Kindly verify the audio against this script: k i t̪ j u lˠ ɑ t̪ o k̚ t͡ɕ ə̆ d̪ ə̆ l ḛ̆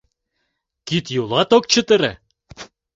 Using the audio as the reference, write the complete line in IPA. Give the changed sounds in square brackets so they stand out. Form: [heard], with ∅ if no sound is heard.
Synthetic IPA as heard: k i t̪ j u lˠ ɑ t̪ o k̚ t͡ɕ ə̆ [t̪] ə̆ [ɾ] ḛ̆